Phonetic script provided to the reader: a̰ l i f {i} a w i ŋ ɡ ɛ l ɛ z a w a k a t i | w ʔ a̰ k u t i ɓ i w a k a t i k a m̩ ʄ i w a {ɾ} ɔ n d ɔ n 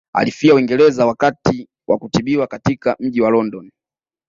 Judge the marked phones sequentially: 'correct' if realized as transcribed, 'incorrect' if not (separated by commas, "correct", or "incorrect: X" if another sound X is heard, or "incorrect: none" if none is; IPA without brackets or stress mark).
correct, incorrect: l